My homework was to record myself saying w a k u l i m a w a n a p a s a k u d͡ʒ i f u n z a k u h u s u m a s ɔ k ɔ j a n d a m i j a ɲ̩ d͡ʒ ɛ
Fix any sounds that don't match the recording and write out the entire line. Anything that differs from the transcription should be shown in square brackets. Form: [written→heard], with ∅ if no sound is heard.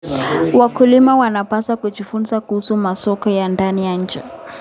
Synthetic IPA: w a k u l i m a w a n a p a s a k u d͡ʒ i f u n z a k u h u s u m a s ɔ k ɔ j a n d a [m→n] i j a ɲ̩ d͡ʒ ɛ